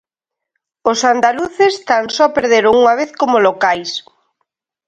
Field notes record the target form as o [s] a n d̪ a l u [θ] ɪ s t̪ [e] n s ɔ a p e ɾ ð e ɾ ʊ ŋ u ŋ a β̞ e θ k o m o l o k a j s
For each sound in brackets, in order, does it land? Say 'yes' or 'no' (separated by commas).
yes, yes, no